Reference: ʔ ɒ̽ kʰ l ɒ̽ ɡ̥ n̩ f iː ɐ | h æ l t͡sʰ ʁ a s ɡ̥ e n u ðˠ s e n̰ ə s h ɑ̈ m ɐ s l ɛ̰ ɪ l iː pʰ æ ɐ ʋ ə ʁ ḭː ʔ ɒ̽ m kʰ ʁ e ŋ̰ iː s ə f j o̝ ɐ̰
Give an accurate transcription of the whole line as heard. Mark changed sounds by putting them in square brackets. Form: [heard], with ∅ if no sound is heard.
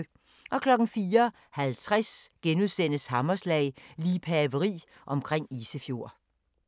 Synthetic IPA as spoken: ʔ ɒ̽ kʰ l ɒ̽ ɡ̥ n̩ f iː ɐ | h æ l t͡sʰ ʁ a s ɡ̥ e n u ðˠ s e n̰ ə s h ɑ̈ m ɐ s l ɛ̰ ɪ l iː pʰ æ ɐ ʋ ə ʁ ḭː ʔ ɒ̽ m kʰ ʁ e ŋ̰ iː s ə f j o̝ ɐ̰

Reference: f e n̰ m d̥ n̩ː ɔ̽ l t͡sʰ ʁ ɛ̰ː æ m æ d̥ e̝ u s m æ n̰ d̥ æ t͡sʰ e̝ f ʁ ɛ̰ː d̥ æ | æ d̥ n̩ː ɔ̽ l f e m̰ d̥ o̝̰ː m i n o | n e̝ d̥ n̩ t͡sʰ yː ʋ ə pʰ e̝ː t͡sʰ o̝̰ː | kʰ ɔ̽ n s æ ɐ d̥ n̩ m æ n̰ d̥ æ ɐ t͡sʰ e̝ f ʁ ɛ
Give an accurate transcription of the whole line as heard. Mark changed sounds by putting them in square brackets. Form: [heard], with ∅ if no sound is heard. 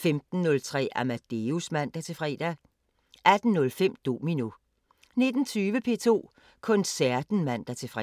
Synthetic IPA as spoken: f e [∅] m d̥ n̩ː ɔ̽ l t͡sʰ ʁ ɛ̰ː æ m æ d̥ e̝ u s m æ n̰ d̥ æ t͡sʰ e̝ f ʁ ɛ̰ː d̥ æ | æ d̥ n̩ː ɔ̽ l f e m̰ d̥ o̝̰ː m i n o | n e̝ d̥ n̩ t͡sʰ yː ʋ ə pʰ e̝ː t͡sʰ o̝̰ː | kʰ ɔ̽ n s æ ɐ d̥ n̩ m æ n̰ d̥ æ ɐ t͡sʰ e̝ f ʁ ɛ

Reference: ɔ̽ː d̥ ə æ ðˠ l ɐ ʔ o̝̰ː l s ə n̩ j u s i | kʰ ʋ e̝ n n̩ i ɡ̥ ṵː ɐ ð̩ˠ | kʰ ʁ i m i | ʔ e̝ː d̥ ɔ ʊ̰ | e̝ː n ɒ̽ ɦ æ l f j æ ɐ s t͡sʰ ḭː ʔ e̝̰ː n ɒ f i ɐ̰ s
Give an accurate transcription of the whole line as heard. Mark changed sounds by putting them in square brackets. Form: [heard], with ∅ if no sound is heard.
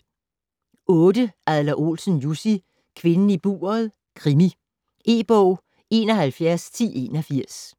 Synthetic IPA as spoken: ɔ̽ː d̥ ə æ ðˠ l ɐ ʔ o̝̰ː l s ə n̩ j u s i | kʰ ʋ e̝ n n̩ i [b̥] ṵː ɐ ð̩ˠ | kʰ ʁ i m i | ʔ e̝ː [b̥] ɔ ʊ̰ | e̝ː n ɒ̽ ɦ æ l f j æ ɐ s t͡sʰ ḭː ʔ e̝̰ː n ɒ f i ɐ̰ s

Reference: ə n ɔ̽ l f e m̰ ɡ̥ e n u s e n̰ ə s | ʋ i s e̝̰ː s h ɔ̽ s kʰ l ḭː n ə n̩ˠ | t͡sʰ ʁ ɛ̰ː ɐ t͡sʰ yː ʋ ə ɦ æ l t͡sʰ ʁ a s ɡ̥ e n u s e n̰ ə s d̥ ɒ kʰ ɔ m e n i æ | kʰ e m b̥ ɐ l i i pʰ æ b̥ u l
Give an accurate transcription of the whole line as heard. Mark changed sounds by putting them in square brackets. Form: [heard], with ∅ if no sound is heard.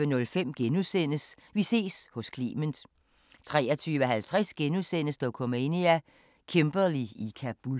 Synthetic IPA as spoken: ə n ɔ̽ l f e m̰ ɡ̥ e n u s e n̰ ə s | ʋ i s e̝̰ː s h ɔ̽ s kʰ l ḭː [m] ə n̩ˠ | t͡sʰ ʁ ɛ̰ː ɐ t͡sʰ yː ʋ ə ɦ æ l t͡sʰ ʁ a s ɡ̥ e n u s e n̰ ə s d̥ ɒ kʰ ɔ m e n i æ | kʰ e m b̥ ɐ l i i [kʰ] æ b̥ u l

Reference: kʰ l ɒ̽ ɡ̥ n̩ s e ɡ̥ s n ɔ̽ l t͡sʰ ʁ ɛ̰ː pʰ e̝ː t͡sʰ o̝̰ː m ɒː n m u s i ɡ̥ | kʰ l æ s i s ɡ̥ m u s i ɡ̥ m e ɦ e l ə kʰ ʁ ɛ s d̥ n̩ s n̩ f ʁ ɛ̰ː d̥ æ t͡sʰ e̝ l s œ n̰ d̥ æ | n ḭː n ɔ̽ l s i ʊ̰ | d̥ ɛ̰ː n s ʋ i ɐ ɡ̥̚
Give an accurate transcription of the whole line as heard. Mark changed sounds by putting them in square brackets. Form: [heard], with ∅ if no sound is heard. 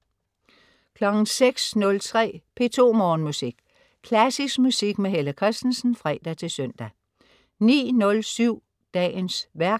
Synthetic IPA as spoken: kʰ l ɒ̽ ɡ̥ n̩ s e ɡ̥ s n ɔ̽ l t͡sʰ ʁ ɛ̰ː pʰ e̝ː t͡sʰ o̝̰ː m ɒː n m u s i ɡ̥ | kʰ l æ s i s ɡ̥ m u s i ɡ̥ m e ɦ e l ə kʰ ʁ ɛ s d̥ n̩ s n̩ f ʁ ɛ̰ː d̥ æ t͡sʰ e̝ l s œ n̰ d̥ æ | n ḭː n ɔ̽ l s [y] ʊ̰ | d̥ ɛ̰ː n s ʋ [æ] ɐ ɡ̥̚

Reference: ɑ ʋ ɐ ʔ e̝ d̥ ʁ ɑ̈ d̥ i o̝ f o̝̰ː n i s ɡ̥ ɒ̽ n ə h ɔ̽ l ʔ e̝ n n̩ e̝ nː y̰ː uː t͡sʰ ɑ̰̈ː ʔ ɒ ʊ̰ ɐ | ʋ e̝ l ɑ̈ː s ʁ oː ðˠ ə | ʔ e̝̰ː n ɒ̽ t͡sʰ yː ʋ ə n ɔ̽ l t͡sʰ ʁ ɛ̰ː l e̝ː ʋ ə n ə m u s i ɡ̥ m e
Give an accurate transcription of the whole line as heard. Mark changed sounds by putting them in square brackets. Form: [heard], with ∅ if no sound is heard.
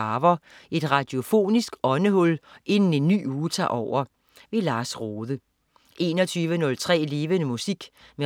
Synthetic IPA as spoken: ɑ ʋ ɐ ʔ e̝ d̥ ʁ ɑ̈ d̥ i o̝ f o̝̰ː n i s ɡ̥ ɒ̽ n ə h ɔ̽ l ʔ e̝ n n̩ e̝ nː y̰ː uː t͡sʰ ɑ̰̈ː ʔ ɒ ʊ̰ ɐ | ʋ e̝ l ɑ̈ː s ʁ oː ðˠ ə | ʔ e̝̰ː n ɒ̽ t͡sʰ yː ʋ ə n ɔ̽ l t͡sʰ ʁ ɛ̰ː l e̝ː ʋ ə n ə m u s i ɡ̥ m e

